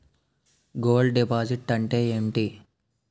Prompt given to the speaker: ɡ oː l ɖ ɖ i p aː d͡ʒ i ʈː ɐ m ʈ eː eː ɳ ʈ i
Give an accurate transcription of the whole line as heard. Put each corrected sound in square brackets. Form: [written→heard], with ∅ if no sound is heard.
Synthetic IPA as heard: ɡ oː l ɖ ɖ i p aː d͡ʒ i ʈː ɐ [m→ɳ] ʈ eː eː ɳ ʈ i